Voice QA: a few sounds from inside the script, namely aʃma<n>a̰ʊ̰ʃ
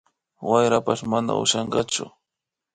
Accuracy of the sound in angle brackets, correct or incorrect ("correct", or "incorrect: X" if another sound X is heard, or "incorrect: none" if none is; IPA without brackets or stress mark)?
correct